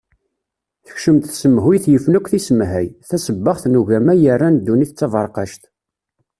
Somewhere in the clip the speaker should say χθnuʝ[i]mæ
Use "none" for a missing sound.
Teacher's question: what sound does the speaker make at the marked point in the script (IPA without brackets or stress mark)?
æ